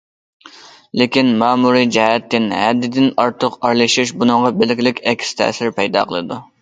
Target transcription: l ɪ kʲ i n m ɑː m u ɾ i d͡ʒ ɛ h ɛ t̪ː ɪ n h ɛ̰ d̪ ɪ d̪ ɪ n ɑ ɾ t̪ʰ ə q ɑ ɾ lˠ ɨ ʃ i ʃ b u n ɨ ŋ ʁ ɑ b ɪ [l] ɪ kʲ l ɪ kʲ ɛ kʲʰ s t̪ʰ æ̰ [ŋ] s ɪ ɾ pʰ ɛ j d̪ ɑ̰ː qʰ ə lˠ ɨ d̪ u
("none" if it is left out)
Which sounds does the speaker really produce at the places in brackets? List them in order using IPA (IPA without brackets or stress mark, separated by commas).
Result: l, none